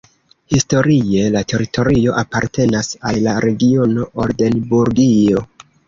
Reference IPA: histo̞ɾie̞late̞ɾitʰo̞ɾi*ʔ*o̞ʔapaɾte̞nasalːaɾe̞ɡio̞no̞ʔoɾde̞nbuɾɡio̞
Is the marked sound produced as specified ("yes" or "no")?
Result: no